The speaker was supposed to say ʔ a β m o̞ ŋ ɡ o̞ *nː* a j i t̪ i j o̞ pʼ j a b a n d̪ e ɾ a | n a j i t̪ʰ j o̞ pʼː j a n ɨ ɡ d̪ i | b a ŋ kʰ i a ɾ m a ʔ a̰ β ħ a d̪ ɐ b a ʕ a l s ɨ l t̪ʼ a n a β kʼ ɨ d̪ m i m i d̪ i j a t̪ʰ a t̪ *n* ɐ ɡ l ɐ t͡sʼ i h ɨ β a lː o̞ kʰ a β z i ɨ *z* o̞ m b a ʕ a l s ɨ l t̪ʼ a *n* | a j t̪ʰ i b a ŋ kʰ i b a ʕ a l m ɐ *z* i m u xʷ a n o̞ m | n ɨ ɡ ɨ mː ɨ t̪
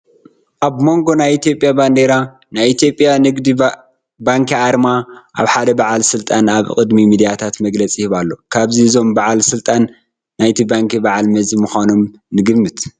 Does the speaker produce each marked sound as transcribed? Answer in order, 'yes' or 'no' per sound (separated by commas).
no, no, yes, no, yes